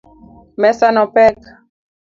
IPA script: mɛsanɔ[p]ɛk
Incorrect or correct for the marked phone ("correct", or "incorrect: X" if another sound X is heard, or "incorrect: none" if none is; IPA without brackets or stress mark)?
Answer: correct